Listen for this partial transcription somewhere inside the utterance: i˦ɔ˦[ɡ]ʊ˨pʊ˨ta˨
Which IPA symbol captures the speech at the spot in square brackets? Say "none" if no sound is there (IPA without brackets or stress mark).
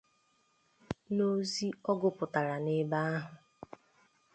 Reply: ɡ